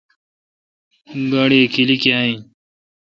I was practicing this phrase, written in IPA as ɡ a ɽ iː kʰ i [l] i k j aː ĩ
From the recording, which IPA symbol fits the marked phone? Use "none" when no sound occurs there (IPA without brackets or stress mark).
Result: l